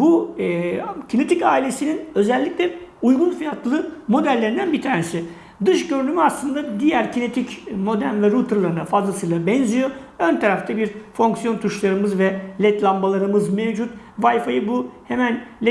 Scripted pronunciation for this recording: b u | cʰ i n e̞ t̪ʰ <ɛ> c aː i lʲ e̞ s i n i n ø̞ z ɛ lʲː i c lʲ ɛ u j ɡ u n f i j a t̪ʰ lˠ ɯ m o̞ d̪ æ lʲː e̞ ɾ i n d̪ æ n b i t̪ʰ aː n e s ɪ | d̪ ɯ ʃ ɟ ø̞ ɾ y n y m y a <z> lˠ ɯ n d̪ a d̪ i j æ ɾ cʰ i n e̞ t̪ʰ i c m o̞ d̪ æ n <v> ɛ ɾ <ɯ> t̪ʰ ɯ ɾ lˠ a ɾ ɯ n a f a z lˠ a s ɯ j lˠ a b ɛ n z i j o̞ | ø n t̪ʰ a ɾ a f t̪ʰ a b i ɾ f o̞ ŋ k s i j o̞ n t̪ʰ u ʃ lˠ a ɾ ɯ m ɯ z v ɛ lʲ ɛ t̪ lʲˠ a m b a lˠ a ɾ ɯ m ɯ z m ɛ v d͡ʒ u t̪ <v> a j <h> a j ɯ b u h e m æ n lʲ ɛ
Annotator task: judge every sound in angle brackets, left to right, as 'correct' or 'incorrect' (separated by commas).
incorrect, incorrect, correct, incorrect, correct, incorrect